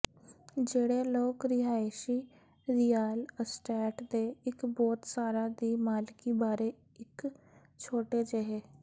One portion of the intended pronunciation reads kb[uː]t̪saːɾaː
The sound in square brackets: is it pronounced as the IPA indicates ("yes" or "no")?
no